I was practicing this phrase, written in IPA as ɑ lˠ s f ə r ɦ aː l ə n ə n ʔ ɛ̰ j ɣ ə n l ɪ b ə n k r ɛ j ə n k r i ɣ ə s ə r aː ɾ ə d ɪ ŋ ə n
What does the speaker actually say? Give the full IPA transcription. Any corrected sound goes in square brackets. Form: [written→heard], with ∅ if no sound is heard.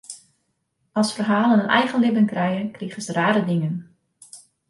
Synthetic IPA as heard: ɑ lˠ s f ə r ɦ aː l ə n ə n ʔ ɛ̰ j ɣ ə n l ɪ b ə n k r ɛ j ə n k r i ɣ ə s ə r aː ɾ ə d ɪ ŋ ə n